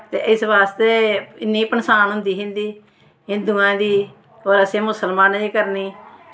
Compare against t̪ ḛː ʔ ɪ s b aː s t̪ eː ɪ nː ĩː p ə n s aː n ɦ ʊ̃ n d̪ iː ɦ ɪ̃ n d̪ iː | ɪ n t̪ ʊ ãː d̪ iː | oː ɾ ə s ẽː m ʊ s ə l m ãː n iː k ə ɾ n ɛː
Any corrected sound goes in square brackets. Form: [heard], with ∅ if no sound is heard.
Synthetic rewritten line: t̪ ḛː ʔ ɪ s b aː s t̪ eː ɪ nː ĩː p ə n s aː n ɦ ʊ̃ n d̪ iː ɦ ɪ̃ n d̪ iː | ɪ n [d̪] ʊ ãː d̪ iː | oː ɾ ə s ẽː m ʊ s ə l m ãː n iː k ə ɾ n [iː]